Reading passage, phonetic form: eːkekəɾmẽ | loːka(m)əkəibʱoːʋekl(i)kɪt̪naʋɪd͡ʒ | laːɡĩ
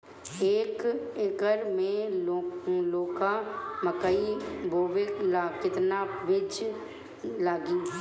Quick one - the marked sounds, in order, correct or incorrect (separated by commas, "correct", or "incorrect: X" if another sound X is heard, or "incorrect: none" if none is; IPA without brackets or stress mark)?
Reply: correct, incorrect: a